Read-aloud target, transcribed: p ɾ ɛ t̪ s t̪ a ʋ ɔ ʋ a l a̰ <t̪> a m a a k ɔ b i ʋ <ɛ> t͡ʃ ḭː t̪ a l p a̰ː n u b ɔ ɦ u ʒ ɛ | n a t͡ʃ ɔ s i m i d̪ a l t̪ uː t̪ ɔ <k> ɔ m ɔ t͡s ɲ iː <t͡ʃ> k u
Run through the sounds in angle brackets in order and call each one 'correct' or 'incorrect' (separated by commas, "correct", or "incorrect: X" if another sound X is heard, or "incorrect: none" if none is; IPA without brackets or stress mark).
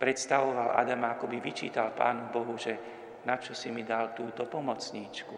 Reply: incorrect: d̪, incorrect: i, incorrect: p, correct